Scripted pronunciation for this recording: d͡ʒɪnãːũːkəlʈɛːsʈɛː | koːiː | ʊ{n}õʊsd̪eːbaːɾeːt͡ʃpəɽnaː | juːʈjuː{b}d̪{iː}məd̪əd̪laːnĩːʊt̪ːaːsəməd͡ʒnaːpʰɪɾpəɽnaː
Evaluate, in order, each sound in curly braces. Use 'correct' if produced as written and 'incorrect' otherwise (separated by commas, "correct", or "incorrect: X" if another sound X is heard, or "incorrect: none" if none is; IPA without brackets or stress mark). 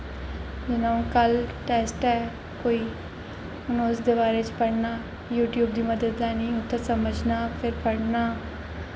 correct, correct, correct